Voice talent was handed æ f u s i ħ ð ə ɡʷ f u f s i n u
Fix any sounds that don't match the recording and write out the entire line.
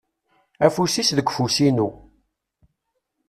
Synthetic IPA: æ f u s i s ð ə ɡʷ f u s i n u